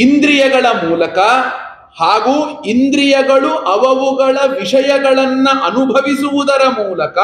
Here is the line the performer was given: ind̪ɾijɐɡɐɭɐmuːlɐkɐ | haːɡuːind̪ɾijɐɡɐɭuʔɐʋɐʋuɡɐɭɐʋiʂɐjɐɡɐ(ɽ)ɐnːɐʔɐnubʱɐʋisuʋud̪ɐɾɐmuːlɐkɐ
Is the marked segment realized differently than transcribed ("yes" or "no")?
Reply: yes